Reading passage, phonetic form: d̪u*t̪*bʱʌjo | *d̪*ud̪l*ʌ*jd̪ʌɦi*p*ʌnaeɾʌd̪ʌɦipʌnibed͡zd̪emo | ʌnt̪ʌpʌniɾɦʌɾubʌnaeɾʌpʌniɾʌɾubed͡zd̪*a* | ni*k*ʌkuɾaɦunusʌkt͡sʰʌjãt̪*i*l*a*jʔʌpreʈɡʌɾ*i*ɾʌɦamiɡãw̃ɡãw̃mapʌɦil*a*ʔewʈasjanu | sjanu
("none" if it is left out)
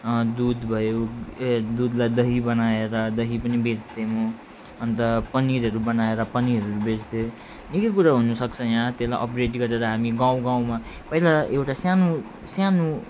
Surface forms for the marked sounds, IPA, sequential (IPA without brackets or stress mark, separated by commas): d̪, d̪, a, b, e, k, e, a, e, a